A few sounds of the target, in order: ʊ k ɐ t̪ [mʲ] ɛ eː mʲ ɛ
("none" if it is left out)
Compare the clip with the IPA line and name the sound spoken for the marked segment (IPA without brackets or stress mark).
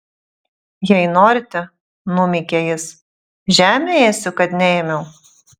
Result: nʲ